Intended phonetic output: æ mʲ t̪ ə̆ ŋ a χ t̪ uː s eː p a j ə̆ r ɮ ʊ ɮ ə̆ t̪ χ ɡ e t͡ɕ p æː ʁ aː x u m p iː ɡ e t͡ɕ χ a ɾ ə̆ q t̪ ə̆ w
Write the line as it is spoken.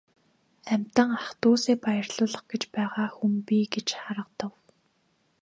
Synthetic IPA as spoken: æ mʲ t̪ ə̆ ŋ a χ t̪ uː s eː p a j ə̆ r ɮ ʊː ɮ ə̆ χ ɡ e t͡ɕ p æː ʁ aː x u m p iː ɡ e t͡ɕ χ a ɾ ə̆ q t̪ ə̆ w